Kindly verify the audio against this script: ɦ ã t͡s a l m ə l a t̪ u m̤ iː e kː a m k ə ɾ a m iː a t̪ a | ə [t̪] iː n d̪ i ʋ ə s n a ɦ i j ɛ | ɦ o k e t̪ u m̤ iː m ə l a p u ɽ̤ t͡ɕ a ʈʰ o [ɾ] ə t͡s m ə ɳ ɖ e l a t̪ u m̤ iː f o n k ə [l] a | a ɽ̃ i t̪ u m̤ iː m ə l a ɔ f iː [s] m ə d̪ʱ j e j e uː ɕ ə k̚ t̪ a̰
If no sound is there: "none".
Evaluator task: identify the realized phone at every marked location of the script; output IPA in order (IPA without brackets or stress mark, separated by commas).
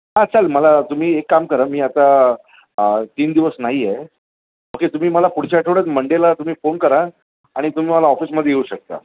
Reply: t̪, ɽ, ɾ, s